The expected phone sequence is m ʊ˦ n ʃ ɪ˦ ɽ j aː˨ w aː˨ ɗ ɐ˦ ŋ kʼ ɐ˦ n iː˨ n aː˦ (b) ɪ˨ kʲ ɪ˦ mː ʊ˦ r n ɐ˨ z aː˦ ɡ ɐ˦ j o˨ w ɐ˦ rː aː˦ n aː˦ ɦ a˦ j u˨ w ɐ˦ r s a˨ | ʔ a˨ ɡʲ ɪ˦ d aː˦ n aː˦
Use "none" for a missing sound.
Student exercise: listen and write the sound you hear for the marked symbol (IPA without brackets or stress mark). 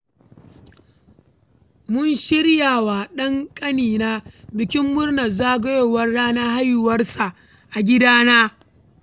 b